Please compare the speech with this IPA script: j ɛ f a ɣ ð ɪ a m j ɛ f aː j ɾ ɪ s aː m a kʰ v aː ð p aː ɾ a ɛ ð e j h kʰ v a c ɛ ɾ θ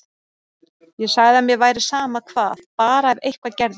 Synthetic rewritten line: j ɛ s a ɣ ð ɪ a m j ɛ v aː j ɾ ɪ s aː m a kʰ v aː ð p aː ɾ a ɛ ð e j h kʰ v a c ɛ ɾ ð